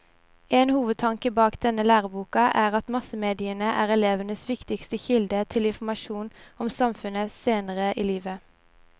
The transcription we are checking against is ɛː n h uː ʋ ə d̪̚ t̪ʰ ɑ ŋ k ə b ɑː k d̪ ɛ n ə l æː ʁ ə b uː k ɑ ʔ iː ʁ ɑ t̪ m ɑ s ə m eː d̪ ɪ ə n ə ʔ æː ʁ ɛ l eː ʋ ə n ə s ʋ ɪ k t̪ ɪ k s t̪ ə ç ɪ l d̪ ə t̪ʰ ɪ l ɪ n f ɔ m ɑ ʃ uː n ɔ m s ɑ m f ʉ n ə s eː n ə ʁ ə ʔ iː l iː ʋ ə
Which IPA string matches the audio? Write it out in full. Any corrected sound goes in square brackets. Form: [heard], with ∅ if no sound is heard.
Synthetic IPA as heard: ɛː n h uː ʋ ə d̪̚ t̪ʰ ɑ ŋ k ə b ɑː k d̪ ɛ n ə l æː ʁ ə b uː k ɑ ʔ [æː] ʁ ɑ t̪ m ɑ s ə m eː d̪ ɪ ə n ə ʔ æː ʁ ɛ l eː ʋ ə n ə s ʋ ɪ k t̪ ɪ k s t̪ ə ç ɪ l d̪ ə t̪ʰ ɪ l ɪ n f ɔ m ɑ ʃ uː n ɔ m s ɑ m f ʉ n ə s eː n ə ʁ ə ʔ iː l iː ʋ ə